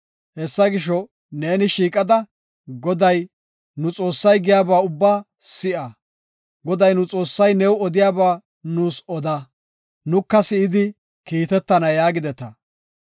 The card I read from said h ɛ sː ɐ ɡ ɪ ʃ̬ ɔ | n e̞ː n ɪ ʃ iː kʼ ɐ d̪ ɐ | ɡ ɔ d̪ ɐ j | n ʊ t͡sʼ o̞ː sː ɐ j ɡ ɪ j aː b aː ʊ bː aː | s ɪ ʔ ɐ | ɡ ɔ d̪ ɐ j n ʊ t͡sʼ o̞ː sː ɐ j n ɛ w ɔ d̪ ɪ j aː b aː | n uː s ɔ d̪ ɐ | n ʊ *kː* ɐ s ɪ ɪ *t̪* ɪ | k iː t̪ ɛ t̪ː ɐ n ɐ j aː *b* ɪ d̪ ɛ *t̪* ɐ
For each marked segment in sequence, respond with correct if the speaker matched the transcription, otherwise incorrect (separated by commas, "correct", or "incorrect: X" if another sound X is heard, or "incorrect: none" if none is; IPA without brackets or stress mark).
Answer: correct, incorrect: d̪, incorrect: ɡ, correct